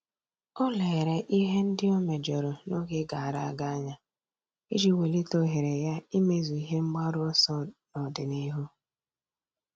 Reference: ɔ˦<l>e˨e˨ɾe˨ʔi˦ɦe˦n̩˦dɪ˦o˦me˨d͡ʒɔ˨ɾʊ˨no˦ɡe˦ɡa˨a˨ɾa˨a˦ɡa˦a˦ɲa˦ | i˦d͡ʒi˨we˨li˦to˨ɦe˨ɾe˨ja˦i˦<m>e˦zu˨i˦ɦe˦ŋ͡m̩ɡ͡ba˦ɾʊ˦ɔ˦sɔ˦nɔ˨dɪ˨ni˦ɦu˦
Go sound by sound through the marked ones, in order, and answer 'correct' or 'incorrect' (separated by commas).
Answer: correct, correct